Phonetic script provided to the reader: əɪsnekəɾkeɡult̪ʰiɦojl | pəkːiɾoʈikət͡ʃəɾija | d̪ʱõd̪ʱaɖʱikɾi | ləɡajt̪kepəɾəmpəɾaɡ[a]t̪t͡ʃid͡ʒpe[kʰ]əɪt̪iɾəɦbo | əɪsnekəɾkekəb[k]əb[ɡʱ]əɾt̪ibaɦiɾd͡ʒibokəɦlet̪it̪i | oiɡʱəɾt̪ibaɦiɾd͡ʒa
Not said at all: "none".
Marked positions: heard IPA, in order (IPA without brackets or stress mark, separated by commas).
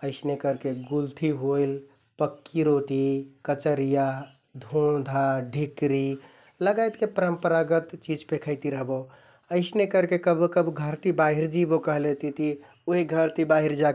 ə, kʰ, k, ɡʱ